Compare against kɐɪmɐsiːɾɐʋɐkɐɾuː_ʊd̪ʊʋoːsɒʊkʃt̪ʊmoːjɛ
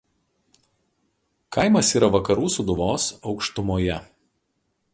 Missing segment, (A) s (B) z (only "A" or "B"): A